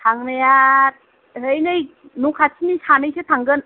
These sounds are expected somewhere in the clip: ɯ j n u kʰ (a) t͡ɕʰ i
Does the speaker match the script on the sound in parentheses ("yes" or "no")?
yes